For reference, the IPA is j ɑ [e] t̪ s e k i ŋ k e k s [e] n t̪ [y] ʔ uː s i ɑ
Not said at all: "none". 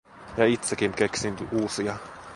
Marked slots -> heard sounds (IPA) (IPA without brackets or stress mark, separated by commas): i, i, y